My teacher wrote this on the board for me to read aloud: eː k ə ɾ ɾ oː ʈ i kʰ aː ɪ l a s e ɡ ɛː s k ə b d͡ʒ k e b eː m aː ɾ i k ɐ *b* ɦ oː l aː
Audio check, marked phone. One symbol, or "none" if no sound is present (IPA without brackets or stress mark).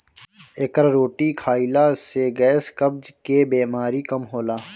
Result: m